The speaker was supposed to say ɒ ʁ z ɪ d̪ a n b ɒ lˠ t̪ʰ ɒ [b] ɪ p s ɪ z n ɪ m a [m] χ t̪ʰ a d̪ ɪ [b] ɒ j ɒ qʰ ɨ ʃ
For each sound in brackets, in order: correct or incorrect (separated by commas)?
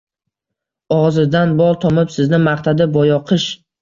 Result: incorrect, incorrect, correct